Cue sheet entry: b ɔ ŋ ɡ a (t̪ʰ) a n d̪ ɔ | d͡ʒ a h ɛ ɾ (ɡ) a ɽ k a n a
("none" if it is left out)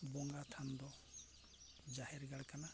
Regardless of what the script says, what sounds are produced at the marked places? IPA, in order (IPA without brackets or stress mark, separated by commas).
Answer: t̪ʰ, ɡ